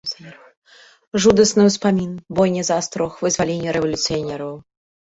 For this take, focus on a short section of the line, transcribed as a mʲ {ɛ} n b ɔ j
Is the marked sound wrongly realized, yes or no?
yes